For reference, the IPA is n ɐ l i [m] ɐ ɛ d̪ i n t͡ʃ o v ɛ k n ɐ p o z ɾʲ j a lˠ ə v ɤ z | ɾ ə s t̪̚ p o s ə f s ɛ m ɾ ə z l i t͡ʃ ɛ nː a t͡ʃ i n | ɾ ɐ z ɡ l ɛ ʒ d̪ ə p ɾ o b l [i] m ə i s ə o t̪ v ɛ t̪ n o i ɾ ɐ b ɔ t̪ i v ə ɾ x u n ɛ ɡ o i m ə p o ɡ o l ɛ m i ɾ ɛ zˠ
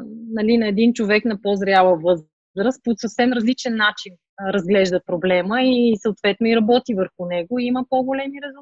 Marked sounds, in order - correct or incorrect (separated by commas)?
incorrect, incorrect